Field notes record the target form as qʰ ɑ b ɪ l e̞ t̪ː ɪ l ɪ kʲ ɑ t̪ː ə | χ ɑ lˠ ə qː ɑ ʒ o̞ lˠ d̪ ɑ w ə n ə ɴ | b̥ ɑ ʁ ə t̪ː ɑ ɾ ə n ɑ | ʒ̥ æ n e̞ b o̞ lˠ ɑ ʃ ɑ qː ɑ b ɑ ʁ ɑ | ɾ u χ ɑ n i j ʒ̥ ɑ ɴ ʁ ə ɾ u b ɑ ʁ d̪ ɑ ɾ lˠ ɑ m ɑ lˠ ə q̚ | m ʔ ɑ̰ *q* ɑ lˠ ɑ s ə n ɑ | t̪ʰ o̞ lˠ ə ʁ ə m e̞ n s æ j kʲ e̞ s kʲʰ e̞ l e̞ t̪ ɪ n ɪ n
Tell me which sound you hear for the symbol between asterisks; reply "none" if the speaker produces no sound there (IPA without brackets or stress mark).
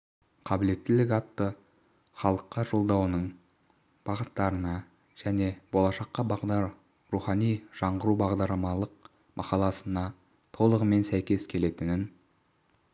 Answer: q